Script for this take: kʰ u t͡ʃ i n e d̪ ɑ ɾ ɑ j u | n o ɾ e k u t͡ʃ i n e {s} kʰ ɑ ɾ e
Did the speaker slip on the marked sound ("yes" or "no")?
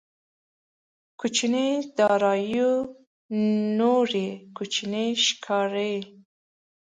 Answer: yes